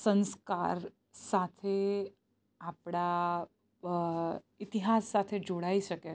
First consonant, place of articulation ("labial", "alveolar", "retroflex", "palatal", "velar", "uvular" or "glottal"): alveolar